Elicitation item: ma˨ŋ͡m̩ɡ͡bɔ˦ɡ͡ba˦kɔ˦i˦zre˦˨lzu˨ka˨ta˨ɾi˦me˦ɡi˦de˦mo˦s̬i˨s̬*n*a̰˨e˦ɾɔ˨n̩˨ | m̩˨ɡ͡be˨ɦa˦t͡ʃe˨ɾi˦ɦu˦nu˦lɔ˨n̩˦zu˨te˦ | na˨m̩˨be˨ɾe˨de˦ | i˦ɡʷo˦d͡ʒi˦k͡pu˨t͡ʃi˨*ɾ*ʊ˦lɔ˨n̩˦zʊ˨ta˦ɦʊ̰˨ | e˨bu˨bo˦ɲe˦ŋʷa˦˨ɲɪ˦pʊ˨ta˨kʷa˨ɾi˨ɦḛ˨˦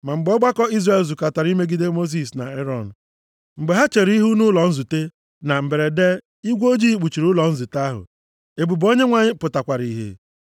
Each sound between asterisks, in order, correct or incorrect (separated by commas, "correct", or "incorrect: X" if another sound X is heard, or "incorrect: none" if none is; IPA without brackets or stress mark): correct, correct